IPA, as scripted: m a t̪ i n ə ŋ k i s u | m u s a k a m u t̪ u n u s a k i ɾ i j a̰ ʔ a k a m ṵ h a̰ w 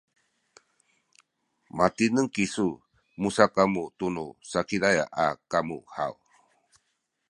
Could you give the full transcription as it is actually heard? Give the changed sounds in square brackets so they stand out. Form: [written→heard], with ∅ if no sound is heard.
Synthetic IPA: m a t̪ i n ə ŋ k i s u | m u s a k a m u t̪ u n u s a k i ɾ [i→a] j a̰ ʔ a k a m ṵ h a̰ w